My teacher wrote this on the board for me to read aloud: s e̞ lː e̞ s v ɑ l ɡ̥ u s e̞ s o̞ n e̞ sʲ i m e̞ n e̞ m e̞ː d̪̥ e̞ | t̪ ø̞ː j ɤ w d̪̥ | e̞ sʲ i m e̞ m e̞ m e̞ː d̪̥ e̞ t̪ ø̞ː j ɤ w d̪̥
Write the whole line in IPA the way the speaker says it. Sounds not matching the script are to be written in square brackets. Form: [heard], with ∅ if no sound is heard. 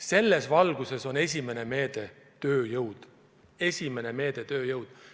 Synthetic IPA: s e̞ lː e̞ s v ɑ l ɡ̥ u s e̞ s o̞ n e̞ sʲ i m e̞ n e̞ m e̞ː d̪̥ e̞ | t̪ ø̞ː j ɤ w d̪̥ | e̞ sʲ i m e̞ [n] e̞ m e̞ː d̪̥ e̞ t̪ ø̞ː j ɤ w d̪̥